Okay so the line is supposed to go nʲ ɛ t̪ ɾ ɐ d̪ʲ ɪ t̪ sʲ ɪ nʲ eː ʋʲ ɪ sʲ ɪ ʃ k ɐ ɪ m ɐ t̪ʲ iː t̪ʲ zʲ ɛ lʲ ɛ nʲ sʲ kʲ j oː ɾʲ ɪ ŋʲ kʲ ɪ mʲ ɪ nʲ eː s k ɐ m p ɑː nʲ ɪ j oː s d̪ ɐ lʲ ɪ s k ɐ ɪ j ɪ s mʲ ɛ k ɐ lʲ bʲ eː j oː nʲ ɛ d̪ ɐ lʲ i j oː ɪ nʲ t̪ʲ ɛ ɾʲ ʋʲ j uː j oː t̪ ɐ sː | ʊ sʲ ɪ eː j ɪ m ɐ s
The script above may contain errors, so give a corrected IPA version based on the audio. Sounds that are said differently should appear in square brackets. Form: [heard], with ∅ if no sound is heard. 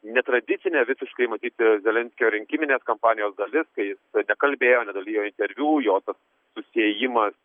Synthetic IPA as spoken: nʲ ɛ t̪ ɾ ɐ d̪ʲ ɪ t̪ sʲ ɪ nʲ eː ʋʲ ɪ sʲ ɪ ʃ k ɐ ɪ m ɐ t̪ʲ iː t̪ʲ zʲ ɛ lʲ ɛ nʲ sʲ kʲ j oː ɾʲ ɪ ŋʲ kʲ ɪ mʲ ɪ nʲ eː s k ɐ m p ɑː nʲ ɪ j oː s d̪ ɐ lʲ ɪ s k ɐ ɪ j ɪ s [nʲ] ɛ k ɐ lʲ bʲ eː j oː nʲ ɛ d̪ ɐ lʲ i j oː ɪ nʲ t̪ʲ ɛ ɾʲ ʋʲ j uː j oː t̪ ɐ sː | ʊ sʲ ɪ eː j ɪ m ɐ s